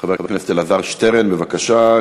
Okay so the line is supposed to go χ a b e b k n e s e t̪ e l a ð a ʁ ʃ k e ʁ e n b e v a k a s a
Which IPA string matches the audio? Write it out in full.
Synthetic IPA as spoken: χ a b e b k n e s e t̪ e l a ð a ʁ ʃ t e ʁ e n b e v a k a ʃ a